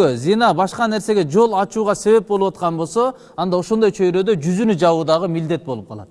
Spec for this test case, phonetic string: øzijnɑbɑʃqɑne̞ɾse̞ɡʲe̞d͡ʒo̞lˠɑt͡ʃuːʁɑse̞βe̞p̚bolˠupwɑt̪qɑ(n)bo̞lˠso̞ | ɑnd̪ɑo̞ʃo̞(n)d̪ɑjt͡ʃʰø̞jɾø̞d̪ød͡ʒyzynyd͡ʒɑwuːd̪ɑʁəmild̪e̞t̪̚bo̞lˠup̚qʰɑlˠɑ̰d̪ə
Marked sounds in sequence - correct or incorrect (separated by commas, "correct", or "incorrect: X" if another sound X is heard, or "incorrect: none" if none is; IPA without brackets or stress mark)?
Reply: correct, correct